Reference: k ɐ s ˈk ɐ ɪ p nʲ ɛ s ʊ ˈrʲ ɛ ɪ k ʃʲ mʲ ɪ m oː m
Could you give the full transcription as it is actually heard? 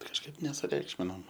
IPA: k ɐ ʃ ˈk ɐ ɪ p nʲ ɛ s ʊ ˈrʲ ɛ ɪ k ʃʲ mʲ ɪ n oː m

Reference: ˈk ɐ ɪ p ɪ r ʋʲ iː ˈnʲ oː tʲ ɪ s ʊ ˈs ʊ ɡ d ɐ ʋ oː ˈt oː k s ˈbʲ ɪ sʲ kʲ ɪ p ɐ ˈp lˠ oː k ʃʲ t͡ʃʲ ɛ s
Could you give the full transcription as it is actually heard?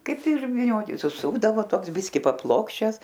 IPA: ˈk ɐ ɪ p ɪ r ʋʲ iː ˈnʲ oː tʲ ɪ s ʊ ˈs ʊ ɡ d ɐ ʋ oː ˈt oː k s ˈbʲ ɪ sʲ kʲ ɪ p ɐ ˈp lˠ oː k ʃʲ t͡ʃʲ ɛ s

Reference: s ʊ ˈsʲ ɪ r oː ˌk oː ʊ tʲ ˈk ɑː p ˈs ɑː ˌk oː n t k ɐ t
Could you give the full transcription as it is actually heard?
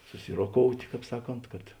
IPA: s ʊ ˈsʲ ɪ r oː ˌk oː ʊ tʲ ˈk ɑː p ˈs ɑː ˌk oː n t k ɐ t

